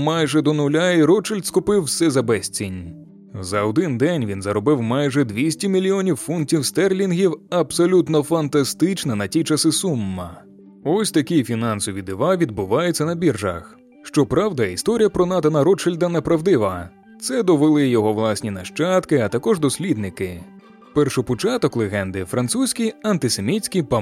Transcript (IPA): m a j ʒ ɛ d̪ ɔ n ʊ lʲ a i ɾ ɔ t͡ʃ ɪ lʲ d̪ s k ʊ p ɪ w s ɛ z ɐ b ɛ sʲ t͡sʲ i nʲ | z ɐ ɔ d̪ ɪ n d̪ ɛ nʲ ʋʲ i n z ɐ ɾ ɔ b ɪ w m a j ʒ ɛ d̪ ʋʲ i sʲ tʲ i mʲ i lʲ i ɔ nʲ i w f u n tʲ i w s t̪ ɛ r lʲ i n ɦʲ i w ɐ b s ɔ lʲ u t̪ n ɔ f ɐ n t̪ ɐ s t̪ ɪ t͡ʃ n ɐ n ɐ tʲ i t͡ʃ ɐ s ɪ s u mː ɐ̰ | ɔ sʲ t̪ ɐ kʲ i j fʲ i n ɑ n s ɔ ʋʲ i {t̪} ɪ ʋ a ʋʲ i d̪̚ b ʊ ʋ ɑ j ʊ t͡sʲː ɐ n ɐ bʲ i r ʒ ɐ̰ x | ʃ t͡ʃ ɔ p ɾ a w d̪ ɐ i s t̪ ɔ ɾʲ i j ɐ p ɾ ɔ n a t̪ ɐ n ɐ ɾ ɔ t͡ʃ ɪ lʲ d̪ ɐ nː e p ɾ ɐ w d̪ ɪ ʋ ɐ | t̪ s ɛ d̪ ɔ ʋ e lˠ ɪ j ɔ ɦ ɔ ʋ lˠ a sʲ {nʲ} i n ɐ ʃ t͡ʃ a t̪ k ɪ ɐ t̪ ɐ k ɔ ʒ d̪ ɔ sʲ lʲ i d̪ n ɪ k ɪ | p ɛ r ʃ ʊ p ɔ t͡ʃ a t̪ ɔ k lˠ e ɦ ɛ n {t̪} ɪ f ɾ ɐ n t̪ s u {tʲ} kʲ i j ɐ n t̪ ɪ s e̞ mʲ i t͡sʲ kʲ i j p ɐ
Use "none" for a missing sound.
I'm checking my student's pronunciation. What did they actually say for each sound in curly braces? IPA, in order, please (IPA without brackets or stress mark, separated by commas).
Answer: d̪, nʲ, d̪, sʲ